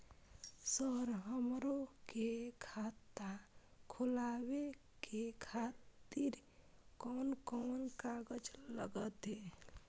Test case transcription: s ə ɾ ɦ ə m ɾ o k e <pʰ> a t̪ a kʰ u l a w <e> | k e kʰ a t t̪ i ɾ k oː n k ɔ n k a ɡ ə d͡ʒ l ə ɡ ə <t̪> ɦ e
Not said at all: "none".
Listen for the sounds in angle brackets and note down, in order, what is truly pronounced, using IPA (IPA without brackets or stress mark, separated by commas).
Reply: kʰ, e, t̪